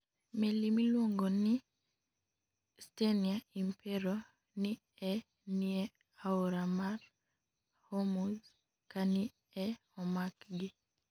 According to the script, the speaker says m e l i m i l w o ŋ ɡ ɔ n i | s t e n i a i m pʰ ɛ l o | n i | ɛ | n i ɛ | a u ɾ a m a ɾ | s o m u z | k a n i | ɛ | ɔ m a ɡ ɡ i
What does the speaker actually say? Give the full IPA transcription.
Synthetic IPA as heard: m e l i m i l w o ŋ ɡ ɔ n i | s t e n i a i m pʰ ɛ ɾ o | n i | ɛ | n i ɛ | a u ɾ a m a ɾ | h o m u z | k a n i | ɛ | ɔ m a k ɡ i

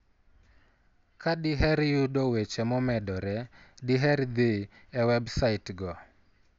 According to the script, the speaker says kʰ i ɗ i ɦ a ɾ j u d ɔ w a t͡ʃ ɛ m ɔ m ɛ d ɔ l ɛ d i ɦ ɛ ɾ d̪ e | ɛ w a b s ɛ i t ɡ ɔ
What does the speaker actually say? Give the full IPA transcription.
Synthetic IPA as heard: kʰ a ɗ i ɦ ɛ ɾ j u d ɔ w e t͡ʃ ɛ m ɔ m ɛ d ɔ ɾ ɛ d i ɦ ɛ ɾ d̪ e | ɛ w ɛ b s a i t ɡ ɔ

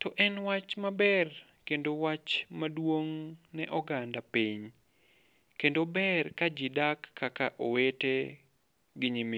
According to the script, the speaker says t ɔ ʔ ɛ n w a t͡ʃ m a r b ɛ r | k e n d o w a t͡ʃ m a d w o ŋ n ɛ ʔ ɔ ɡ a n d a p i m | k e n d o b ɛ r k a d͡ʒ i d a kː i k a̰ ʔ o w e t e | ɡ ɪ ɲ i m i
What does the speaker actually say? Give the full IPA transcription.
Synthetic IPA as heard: t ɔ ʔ ɛ n w a t͡ʃ m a b ɛ r | k e n d o w a t͡ʃ m a d w o ŋ n ɛ ʔ ɔ ɡ a n d a p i ɲ | k e n d o b ɛ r k a d͡ʒ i d a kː a k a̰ ʔ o w e t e | ɡ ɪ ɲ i m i

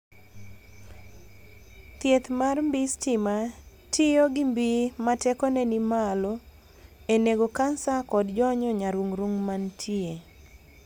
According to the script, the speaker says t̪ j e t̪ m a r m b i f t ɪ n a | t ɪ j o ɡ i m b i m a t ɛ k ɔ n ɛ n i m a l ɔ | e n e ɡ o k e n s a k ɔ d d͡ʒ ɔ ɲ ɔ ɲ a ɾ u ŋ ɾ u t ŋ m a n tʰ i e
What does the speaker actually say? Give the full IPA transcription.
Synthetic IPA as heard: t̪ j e t̪ m a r m b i s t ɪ m a | t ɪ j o ɡ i m b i m a t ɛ k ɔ n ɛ n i m a l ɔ | e n e ɡ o k a n s a k ɔ d d͡ʒ ɔ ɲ ɔ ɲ a ɾ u ŋ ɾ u ŋ m a n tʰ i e

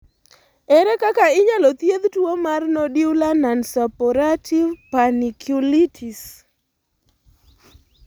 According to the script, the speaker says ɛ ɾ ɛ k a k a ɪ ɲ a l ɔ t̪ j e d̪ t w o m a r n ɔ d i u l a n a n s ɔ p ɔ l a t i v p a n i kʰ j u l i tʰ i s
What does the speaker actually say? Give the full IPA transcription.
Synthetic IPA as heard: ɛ ɾ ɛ k a k a ɪ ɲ a l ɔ t̪ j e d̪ t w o m a r n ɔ d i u l a n a n s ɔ p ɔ ɾ a t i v p a n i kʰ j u l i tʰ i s

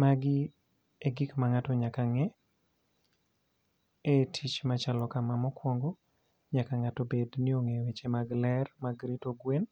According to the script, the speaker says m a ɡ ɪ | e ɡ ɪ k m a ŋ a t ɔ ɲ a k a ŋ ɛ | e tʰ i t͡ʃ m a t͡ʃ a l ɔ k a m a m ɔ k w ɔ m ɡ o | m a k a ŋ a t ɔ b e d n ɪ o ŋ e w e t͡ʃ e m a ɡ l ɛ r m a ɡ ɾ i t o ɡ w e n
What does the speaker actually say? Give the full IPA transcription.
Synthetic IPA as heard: m a ɡ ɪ | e ɡ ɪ k m a ŋ a t ɔ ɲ a k a ŋ ɛ | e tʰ i t͡ʃ m a t͡ʃ a l ɔ k a m a m ɔ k w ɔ ŋ ɡ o | ɲ a k a ŋ a t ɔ b e d n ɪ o ŋ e w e t͡ʃ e m a ɡ l ɛ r m a ɡ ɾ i t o ɡ w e n

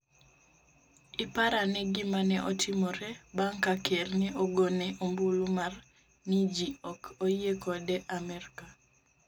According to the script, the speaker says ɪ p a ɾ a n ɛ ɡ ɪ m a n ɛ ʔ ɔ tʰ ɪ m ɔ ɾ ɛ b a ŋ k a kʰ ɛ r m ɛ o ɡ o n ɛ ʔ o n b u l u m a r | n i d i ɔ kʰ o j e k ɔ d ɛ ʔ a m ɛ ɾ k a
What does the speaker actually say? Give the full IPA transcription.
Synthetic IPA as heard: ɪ p a ɾ a n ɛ ɡ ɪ m a n ɛ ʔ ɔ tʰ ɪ m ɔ ɾ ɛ b a ŋ k a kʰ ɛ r n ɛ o ɡ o n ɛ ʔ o m b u l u m a r | n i d͡ʒ i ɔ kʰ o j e k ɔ d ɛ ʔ a m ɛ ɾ k a

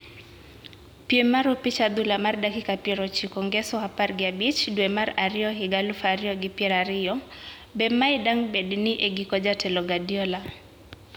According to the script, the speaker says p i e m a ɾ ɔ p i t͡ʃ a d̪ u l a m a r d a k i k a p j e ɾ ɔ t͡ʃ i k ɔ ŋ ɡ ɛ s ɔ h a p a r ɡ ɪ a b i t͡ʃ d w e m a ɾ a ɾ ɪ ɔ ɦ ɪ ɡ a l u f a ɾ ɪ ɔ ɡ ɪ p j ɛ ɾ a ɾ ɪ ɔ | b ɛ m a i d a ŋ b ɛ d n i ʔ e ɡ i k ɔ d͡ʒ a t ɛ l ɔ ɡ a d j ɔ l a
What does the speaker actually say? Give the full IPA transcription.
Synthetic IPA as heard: p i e m a ɾ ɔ p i t͡ʃ a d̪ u l a m a r d a k i k a p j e ɾ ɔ t͡ʃ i k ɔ ŋ ɡ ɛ s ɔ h a p a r ɡ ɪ a b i t͡ʃ d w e m a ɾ a ɾ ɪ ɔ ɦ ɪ ɡ a l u f a ɾ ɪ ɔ ɡ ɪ p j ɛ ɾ a ɾ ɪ ɔ | b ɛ m a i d a ŋ b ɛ d n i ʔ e ɡ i k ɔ d͡ʒ a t ɛ l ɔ ɡ a d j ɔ l a

